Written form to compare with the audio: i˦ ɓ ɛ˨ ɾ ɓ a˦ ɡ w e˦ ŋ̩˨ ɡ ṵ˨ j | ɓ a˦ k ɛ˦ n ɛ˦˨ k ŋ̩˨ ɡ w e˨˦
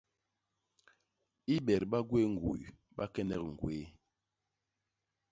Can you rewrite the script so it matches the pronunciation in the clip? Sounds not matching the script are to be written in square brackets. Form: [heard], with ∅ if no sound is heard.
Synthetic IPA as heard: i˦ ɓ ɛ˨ ɾ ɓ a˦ ɡ w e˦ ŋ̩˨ ɡ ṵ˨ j | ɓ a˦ k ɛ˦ n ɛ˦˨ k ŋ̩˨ ɡ w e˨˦